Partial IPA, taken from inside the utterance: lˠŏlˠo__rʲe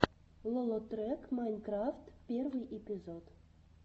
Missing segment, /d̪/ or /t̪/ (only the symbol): t̪